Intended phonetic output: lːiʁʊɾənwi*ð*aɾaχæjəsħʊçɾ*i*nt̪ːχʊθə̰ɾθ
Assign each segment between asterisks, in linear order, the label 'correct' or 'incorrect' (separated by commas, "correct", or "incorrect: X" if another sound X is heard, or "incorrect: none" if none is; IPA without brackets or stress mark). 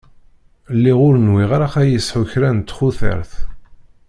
incorrect: ʁ, incorrect: æ